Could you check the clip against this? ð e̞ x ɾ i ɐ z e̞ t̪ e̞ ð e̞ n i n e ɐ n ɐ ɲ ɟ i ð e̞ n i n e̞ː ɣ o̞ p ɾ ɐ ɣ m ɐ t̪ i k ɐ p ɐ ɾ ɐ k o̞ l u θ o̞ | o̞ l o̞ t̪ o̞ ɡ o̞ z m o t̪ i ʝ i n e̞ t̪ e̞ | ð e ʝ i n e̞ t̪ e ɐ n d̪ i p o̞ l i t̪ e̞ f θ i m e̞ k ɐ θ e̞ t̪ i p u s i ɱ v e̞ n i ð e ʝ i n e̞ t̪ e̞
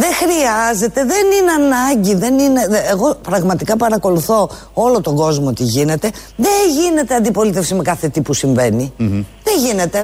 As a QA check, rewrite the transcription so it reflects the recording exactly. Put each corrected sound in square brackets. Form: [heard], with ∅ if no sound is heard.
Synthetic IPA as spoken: ð e̞ x ɾ i ɐ z e̞ t̪ e̞ ð e̞ n i n e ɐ n ɐ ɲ ɟ i ð e̞ n i n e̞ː ɣ o̞ p ɾ ɐ ɣ m ɐ t̪ i k ɐ p ɐ ɾ ɐ k o̞ l u θ o̞ | o̞ l o̞ t̪ o̞ ɡ o̞ z m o t̪ i ʝ i n e̞ t̪ e̞ | ð e ʝ i n e̞ t̪ e ɐ n d̪ i p o̞ l i t̪ e̞ f [s] i m e̞ k ɐ θ e̞ t̪ i p u s i ɱ v e̞ n i ð e ʝ i n e̞ t̪ e̞